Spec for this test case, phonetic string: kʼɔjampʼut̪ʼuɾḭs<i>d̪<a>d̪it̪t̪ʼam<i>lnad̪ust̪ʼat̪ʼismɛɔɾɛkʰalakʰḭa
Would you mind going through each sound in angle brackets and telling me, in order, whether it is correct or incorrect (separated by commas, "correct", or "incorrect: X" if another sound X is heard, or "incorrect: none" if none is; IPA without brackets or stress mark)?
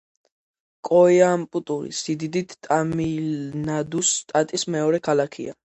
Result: correct, incorrect: i, correct